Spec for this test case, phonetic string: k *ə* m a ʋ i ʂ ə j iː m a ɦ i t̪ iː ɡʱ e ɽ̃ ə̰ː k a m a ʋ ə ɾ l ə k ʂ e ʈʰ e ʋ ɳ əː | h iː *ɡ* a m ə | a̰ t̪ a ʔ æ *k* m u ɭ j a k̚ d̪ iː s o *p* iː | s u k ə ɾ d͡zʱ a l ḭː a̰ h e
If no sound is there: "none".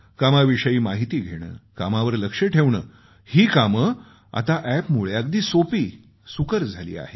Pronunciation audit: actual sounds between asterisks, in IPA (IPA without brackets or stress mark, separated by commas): a, k, p, p